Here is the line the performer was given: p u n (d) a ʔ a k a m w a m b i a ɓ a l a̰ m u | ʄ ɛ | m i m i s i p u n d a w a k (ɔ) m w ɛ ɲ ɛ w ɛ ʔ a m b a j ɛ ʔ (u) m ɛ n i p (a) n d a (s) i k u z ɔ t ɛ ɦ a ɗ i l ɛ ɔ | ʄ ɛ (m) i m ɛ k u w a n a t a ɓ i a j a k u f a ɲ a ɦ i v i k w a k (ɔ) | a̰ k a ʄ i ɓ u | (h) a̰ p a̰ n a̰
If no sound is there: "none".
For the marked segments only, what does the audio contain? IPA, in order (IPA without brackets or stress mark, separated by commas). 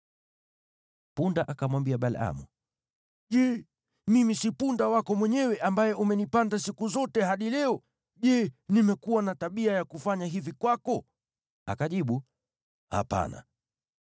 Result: d, ɔ, u, a, s, n, ɔ, h